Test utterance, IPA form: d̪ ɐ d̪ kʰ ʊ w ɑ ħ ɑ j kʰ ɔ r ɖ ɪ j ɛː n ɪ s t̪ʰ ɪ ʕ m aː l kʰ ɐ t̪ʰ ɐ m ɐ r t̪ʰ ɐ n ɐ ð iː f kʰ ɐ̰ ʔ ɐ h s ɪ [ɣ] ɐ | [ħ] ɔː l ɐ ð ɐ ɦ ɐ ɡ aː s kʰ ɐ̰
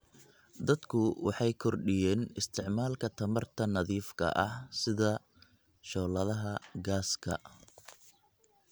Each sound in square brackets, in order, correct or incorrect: incorrect, incorrect

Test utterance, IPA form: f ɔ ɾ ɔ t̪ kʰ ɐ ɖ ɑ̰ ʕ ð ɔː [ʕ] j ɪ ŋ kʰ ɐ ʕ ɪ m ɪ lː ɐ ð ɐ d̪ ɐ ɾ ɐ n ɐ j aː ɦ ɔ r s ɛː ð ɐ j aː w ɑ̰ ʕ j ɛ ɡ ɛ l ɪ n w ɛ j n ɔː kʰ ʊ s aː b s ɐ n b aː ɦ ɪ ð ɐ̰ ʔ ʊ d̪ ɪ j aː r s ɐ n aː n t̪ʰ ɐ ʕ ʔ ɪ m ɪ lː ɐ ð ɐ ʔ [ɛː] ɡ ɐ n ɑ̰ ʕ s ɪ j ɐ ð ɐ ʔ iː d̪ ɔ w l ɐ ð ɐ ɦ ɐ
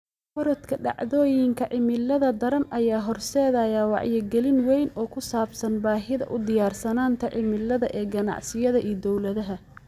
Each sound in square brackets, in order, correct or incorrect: incorrect, correct

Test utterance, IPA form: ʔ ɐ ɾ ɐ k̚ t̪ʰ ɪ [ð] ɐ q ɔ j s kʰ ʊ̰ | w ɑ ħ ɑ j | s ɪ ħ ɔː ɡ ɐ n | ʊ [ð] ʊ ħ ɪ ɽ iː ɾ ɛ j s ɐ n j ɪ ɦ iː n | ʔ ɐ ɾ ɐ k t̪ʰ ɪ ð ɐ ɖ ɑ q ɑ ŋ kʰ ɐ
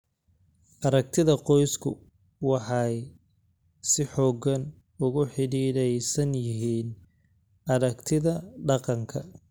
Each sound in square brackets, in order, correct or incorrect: correct, incorrect

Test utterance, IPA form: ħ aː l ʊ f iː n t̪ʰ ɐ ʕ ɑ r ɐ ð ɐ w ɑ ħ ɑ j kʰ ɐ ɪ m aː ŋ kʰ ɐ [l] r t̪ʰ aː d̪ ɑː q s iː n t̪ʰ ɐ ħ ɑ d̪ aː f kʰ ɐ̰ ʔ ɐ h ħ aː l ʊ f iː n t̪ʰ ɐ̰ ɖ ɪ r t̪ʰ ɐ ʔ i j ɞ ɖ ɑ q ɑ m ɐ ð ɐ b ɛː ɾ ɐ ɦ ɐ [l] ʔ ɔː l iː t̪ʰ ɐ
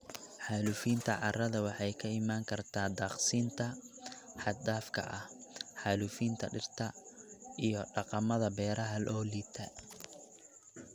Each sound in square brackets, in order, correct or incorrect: incorrect, correct

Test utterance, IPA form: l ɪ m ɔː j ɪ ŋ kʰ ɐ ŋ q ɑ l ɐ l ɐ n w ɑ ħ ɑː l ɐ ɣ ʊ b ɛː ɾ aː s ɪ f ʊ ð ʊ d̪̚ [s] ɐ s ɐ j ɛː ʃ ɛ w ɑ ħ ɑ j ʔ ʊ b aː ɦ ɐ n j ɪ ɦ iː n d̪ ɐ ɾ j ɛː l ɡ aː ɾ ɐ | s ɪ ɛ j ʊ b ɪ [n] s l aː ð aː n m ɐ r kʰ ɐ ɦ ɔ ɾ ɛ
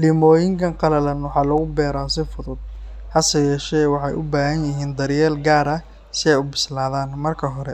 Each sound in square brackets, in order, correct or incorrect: incorrect, incorrect

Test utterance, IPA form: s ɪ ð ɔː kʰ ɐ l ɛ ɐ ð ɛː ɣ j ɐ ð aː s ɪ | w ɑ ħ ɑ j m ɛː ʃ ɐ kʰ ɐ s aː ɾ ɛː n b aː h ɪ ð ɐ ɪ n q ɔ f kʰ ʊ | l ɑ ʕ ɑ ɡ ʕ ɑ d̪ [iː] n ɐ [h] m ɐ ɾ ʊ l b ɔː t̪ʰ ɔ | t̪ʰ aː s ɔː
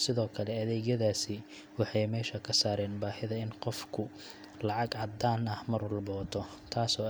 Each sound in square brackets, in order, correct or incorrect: incorrect, correct

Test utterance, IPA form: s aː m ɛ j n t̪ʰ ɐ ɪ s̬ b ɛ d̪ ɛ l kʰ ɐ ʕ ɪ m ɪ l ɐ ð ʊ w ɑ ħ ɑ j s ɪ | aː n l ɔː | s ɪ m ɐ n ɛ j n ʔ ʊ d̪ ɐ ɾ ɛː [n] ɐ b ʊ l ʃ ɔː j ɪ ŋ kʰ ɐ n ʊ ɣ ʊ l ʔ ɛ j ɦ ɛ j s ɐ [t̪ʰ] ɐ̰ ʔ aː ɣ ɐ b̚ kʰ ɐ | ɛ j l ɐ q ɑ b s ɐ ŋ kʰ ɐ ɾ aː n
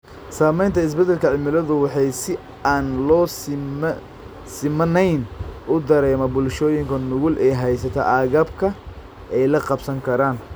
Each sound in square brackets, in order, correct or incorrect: incorrect, correct

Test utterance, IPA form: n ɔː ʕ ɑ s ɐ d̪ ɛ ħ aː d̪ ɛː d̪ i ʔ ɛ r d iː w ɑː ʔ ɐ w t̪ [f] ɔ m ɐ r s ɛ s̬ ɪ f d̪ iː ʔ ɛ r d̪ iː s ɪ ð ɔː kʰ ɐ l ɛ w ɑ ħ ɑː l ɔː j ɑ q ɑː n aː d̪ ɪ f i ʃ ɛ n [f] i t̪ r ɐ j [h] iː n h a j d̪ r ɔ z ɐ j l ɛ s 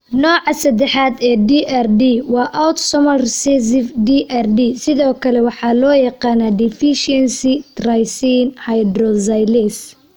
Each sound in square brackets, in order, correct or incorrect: incorrect, incorrect, incorrect

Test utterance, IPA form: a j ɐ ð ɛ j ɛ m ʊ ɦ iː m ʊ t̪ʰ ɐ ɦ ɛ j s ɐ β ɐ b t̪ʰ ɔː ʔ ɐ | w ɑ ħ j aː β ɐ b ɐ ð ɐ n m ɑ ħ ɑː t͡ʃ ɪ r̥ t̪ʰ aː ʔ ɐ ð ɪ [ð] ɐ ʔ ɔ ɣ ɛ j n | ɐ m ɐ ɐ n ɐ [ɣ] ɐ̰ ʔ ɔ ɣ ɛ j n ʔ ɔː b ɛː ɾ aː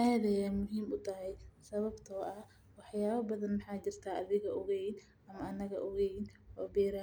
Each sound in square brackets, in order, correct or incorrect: incorrect, correct

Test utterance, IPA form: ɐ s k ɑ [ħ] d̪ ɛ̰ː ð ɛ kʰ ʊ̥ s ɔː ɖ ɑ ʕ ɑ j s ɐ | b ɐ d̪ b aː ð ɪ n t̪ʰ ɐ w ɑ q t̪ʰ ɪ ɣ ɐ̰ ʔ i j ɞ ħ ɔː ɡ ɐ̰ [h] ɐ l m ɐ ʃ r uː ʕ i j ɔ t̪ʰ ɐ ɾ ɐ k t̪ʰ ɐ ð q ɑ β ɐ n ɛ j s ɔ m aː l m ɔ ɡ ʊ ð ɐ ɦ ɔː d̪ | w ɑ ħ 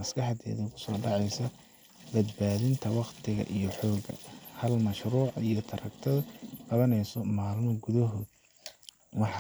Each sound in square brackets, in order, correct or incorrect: correct, correct

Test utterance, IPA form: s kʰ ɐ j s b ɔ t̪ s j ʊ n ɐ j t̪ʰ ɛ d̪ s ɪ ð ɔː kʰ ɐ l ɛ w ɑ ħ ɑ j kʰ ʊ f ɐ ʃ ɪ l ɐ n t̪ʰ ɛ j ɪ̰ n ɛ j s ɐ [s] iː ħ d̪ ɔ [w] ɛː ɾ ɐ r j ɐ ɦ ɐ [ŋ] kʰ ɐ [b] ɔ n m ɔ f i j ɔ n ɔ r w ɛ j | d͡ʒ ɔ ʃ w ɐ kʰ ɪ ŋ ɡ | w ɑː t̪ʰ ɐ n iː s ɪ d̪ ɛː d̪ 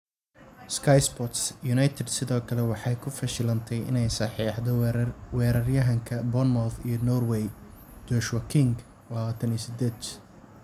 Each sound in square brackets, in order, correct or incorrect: incorrect, correct, correct, correct

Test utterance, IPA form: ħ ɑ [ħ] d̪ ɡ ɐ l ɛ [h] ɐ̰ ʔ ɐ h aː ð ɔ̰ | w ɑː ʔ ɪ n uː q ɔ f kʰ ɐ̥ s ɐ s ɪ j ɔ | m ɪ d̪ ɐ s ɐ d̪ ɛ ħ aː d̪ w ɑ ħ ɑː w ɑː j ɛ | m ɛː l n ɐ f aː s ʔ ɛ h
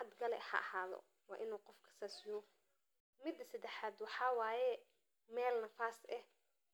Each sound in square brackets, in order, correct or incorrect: incorrect, correct

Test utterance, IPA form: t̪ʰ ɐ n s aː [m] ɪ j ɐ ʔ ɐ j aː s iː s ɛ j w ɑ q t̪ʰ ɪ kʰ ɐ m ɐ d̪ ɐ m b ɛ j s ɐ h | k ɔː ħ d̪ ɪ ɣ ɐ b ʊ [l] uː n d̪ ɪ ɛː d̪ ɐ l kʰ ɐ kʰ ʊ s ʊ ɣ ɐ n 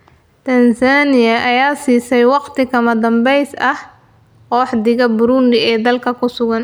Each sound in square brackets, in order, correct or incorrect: incorrect, incorrect

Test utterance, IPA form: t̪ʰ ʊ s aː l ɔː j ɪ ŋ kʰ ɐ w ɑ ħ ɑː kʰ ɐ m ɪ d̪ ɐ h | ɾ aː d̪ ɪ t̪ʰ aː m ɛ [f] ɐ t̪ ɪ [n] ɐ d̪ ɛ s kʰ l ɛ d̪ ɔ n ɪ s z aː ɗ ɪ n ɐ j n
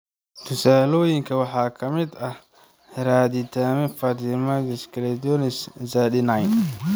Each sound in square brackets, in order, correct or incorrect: correct, incorrect

